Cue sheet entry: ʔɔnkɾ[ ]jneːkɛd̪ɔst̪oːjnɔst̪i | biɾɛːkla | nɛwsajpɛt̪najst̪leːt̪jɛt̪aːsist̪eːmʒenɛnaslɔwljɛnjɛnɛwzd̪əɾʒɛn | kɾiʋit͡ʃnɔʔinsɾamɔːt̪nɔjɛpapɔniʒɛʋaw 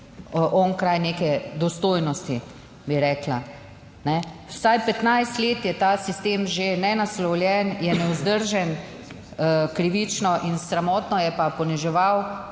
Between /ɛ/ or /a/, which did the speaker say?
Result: a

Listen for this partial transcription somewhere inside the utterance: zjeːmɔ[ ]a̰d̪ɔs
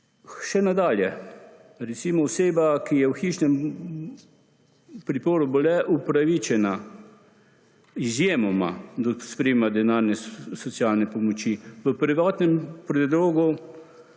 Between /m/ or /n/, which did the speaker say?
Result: m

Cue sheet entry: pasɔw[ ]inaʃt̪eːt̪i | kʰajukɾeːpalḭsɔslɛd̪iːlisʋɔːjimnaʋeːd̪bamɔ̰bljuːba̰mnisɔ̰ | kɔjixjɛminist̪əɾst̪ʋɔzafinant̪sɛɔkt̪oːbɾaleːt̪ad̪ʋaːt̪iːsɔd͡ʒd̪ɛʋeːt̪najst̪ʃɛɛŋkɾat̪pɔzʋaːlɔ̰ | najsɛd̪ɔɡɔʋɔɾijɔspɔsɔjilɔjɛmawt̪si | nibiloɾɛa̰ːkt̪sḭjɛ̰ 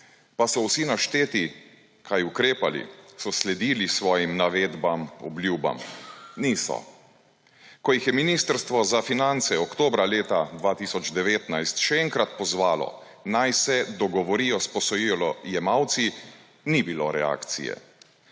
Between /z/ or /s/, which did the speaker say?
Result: s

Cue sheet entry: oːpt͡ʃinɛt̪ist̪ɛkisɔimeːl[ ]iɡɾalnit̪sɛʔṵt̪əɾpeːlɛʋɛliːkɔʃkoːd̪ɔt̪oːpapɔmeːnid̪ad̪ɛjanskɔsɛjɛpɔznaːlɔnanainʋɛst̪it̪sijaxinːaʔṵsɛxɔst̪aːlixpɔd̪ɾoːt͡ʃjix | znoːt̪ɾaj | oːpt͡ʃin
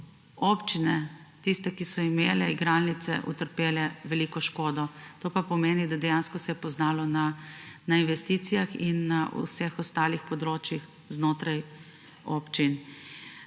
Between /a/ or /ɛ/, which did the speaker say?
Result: ɛ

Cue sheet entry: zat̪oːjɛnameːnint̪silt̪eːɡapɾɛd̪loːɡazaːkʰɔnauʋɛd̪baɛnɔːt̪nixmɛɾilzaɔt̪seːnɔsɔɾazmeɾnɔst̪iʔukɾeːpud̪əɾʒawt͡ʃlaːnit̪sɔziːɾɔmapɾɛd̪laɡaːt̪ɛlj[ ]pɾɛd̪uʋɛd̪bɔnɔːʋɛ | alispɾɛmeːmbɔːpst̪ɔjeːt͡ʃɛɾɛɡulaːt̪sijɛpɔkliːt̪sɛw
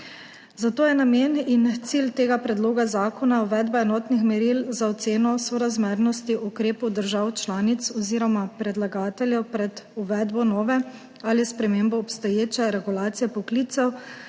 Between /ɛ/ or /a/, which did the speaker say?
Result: ɛ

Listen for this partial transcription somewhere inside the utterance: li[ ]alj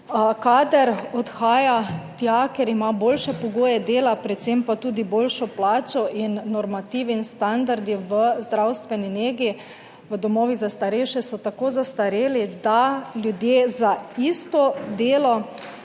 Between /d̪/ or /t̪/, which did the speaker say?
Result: d̪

